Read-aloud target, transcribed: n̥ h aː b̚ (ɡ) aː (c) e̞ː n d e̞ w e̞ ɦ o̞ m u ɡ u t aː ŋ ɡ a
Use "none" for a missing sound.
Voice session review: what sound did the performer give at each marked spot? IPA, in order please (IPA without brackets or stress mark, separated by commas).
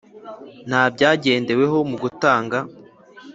ɟ, ɟ